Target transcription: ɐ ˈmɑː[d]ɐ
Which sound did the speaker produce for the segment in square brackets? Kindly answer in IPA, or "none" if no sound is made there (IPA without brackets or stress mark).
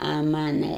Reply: n